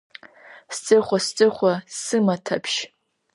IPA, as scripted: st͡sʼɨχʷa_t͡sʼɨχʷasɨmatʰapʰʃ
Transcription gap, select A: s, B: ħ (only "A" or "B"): A